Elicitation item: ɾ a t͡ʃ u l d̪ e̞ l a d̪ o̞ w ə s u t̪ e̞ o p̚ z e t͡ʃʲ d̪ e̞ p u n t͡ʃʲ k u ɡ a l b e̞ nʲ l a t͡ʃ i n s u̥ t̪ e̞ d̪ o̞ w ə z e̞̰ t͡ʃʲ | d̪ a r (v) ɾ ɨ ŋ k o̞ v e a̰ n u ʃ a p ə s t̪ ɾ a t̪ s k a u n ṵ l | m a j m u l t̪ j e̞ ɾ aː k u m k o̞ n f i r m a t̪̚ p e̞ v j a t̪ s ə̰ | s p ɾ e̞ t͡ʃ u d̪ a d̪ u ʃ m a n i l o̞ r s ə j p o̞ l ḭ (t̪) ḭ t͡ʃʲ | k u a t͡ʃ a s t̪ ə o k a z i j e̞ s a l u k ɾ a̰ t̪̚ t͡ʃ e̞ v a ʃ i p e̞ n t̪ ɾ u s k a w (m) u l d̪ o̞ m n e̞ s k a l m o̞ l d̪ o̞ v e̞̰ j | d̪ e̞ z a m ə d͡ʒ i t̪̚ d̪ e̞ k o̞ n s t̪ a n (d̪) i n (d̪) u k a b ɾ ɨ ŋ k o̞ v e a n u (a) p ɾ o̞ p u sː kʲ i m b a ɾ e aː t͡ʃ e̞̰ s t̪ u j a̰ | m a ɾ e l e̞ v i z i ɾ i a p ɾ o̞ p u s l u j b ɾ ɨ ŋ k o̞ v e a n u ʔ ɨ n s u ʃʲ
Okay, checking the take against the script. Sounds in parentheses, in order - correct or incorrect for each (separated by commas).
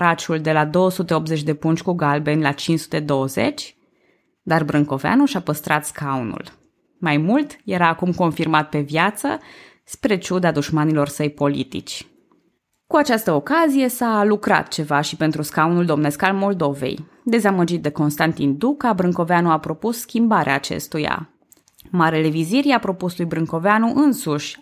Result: incorrect, correct, incorrect, incorrect, correct, correct